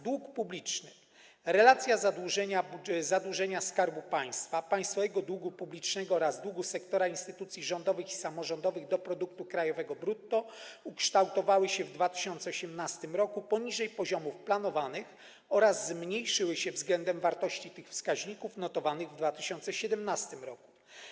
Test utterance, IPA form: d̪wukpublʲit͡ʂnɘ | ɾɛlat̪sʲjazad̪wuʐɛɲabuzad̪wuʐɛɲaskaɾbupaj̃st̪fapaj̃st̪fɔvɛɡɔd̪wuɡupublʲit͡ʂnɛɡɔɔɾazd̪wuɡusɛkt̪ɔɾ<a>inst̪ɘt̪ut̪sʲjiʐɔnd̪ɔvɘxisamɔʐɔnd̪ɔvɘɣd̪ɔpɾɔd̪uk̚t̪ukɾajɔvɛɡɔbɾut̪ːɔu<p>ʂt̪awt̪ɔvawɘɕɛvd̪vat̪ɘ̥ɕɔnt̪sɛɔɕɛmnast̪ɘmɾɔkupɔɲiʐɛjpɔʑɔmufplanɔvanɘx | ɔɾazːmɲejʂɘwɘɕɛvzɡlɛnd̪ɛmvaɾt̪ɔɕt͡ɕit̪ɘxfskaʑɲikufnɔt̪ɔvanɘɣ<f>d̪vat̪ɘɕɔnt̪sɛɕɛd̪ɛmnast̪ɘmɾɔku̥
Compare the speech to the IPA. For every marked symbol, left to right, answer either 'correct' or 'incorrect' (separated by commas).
correct, incorrect, incorrect